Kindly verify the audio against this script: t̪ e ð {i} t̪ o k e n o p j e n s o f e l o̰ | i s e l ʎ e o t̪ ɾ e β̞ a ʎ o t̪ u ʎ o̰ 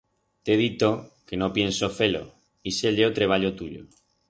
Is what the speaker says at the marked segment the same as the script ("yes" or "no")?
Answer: yes